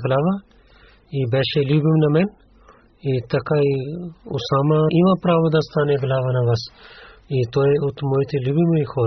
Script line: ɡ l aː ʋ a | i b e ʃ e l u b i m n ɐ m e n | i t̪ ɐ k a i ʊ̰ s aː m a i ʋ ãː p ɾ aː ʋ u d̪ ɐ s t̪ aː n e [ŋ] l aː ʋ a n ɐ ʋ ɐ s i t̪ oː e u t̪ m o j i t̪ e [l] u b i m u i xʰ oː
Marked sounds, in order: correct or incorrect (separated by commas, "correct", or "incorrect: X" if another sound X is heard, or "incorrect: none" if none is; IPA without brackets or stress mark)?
incorrect: ɡ, correct